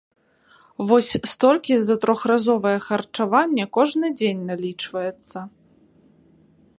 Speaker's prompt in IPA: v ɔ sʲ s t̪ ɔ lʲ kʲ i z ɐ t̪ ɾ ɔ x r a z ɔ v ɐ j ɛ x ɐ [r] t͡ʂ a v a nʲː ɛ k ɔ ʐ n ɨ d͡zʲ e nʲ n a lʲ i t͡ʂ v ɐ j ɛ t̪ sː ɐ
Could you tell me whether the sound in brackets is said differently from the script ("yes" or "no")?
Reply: no